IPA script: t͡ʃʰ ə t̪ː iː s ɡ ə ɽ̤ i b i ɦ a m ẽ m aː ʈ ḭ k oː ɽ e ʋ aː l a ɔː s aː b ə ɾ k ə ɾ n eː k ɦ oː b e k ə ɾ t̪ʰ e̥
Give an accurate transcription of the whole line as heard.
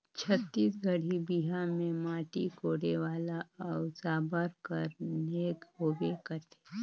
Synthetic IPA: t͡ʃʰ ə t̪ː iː s ɡ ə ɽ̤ i b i ɦ a m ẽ m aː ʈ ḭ k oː ɽ e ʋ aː l a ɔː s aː b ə ɾ k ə ɾ n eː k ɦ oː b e k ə ɾ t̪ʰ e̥

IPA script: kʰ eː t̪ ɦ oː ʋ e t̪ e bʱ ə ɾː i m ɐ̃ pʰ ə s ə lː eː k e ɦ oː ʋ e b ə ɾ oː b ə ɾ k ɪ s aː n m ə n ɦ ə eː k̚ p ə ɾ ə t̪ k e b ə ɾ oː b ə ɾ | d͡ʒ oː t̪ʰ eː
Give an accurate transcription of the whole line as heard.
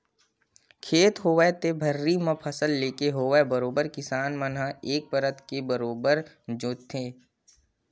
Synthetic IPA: kʰ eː t̪ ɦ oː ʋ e t̪ e bʱ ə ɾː i m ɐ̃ pʰ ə s ə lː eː k e ɦ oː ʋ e b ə ɾ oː b ə ɾ k ɪ s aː n m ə n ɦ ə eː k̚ p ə ɾ ə t̪ k e b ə ɾ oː b ə ɾ | d͡ʒ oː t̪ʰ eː

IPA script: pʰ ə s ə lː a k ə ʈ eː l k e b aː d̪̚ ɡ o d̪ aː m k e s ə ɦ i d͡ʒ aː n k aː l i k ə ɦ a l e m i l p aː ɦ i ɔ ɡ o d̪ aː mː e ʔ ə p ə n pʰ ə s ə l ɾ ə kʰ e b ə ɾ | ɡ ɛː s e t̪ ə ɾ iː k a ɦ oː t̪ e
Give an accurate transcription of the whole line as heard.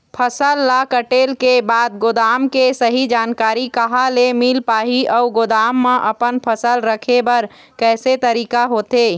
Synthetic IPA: pʰ ə s ə lː a k ə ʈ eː l k e b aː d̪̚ ɡ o d̪ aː m k e s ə ɦ i d͡ʒ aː n k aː ɾ i k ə ɦ a l e m i l p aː ɦ i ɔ ɡ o d̪ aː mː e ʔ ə p ə n pʰ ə s ə l ɾ ə kʰ e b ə ɾ | k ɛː s e t̪ ə ɾ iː k a ɦ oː t̪ e

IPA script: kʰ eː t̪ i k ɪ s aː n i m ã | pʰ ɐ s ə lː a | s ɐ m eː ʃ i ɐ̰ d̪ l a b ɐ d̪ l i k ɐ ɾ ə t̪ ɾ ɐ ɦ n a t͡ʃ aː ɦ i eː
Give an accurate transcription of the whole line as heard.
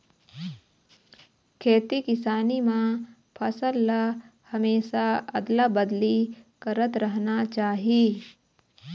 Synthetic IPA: kʰ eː t̪ i k ɪ s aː n i m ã | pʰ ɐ s ə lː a | h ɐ m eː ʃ a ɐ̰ d̪ l a b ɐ d̪ l i k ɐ ɾ ə t̪ ɾ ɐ ɦ n a t͡ʃ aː ɦ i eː

